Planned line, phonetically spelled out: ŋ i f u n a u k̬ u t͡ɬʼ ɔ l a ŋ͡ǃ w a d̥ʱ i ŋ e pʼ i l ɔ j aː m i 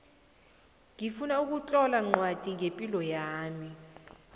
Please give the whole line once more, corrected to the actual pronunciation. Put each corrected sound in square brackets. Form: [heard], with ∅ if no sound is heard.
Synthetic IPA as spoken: ŋ i f u n a u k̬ u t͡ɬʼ ɔ l a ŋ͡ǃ w a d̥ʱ i ŋ e pʼ i l ɔ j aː m i